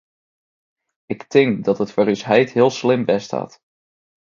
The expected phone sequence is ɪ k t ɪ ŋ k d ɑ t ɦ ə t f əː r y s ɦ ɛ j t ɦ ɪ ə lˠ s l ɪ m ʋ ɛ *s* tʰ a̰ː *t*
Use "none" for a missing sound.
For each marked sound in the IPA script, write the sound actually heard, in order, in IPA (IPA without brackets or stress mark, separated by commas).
s, t